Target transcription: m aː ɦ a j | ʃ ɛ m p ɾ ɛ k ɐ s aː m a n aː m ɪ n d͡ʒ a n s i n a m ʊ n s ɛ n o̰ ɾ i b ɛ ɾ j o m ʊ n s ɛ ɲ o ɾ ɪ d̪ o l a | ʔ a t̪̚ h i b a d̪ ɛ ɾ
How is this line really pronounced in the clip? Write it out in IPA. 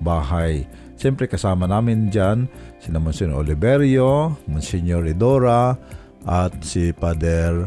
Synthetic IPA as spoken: b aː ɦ a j | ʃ ɛ m p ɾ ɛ k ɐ s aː m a n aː m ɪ n d͡ʒ a n s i n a m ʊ n s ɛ n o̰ l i b ɛ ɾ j o m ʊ n s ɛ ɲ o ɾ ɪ d̪ o ɾ a | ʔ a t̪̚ s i p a d̪ ɛ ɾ